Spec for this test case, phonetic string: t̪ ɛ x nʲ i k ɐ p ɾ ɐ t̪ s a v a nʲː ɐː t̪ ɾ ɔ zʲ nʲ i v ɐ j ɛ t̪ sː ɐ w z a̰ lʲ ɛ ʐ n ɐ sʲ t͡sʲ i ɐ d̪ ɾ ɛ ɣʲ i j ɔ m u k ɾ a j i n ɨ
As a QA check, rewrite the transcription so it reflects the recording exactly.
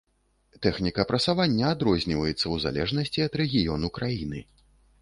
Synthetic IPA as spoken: t̪ ɛ x nʲ i k ɐ p ɾ ɐ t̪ s a v a nʲː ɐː d̪ ɾ ɔ zʲ nʲ i v ɐ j ɛ t̪ sː ɐ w z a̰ lʲ ɛ ʐ n ɐ sʲ t͡sʲ i ɐ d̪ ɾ ɛ ɣʲ i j ɔ n u k ɾ a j i n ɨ